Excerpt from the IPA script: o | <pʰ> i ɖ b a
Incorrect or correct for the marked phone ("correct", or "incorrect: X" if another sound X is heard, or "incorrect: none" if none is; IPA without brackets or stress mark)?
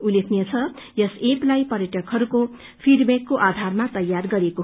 correct